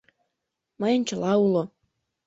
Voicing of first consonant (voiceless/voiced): voiced